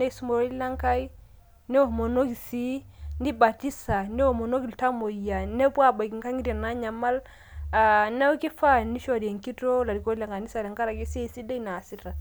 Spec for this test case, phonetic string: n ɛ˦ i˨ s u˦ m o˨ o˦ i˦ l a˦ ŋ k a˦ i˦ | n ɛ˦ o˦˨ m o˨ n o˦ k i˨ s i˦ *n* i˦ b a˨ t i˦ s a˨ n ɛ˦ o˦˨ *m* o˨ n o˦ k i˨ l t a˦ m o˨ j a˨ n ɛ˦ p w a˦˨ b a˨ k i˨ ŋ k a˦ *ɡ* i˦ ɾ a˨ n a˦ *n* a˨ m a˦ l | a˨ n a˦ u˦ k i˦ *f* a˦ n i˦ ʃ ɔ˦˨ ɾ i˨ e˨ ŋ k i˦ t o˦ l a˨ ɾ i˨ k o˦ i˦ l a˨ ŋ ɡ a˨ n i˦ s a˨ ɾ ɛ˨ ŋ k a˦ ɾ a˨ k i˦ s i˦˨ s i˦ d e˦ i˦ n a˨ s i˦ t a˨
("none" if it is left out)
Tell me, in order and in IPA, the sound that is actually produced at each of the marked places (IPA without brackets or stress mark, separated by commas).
n, m, ŋ, ɲ, f